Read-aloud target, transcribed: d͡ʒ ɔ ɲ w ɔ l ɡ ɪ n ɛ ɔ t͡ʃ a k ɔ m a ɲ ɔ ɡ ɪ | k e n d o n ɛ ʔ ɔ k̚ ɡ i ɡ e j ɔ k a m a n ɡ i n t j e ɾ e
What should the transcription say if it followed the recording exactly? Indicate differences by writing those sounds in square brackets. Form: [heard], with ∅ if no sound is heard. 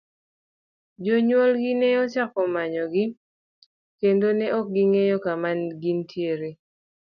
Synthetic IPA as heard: d͡ʒ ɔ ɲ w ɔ l ɡ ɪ n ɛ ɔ t͡ʃ a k ɔ m a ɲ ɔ ɡ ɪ | k e n d o n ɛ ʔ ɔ k̚ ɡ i [ŋ] e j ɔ k a m a n ɡ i n t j e ɾ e